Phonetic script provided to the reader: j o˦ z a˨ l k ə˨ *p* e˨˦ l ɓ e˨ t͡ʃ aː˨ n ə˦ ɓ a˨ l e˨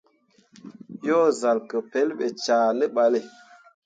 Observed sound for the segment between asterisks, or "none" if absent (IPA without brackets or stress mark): p